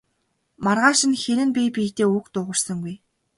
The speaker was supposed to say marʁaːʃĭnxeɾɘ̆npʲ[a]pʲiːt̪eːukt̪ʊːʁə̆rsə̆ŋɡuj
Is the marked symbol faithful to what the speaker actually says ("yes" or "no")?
no